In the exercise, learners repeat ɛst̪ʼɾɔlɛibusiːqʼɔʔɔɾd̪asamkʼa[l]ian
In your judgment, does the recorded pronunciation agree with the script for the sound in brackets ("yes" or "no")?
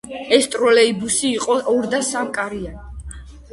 no